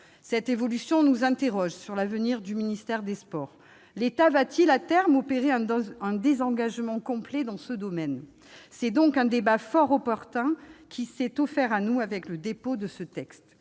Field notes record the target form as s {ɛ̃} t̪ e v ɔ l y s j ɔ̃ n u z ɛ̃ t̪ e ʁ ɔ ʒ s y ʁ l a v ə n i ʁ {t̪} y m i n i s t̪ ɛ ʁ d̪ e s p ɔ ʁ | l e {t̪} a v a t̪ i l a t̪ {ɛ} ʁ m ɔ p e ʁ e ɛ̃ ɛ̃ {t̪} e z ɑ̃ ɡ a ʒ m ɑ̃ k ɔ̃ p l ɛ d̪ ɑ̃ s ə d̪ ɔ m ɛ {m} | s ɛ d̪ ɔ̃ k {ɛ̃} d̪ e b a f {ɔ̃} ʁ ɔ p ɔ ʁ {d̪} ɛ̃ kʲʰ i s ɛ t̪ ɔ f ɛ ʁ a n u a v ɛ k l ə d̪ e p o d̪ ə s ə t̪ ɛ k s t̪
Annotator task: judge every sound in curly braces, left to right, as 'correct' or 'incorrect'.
incorrect: ɛ, incorrect: d̪, correct, correct, incorrect: d̪, incorrect: n, correct, incorrect: ɔ, incorrect: t̪

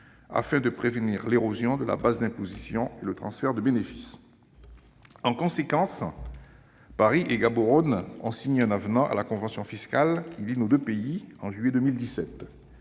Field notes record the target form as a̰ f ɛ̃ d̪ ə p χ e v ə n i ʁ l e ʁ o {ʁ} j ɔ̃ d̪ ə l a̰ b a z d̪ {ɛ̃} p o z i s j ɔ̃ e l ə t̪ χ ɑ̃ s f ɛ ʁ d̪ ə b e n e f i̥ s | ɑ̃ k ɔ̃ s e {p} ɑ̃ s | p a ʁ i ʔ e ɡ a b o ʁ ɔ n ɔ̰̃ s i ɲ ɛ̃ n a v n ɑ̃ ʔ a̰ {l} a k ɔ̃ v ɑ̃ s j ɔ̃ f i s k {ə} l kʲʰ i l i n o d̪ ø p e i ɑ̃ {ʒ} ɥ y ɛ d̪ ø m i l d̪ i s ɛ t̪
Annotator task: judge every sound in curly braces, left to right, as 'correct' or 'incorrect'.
incorrect: z, correct, incorrect: k, correct, incorrect: a, correct

